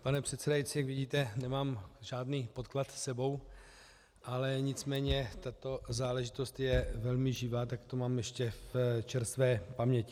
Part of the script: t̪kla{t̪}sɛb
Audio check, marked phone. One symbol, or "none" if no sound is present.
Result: t̪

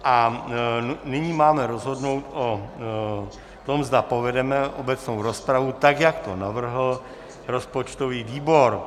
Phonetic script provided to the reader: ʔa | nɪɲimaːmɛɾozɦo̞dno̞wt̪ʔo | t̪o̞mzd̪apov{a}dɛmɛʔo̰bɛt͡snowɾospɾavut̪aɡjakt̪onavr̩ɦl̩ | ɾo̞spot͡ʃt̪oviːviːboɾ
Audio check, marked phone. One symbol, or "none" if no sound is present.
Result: ɛ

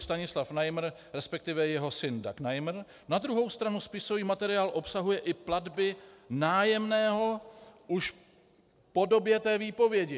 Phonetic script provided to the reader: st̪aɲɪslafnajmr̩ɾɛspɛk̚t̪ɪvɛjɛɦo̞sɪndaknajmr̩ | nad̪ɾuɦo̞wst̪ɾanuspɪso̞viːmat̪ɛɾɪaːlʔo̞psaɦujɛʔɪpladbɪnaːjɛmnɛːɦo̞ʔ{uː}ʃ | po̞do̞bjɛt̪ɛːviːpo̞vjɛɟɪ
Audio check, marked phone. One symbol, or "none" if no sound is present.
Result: u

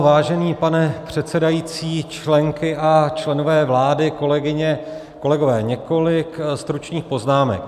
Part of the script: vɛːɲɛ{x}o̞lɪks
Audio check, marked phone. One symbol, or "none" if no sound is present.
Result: k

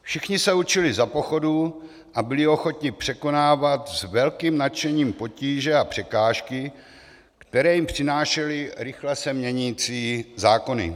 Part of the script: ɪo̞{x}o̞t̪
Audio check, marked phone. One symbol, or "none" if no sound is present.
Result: x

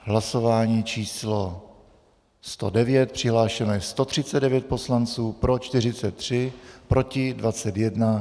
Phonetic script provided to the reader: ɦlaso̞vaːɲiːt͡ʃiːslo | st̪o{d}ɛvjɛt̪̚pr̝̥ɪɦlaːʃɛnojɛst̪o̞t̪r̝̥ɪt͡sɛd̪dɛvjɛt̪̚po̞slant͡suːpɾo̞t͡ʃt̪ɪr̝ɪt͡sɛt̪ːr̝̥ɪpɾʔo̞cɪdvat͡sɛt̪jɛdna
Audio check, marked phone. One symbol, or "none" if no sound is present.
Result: d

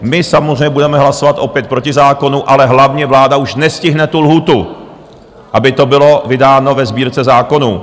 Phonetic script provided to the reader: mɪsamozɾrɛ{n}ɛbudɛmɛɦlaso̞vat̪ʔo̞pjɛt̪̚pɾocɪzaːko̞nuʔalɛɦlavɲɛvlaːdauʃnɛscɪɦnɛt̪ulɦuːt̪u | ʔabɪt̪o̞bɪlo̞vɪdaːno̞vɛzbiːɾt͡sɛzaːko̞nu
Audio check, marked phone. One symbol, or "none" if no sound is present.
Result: ɲ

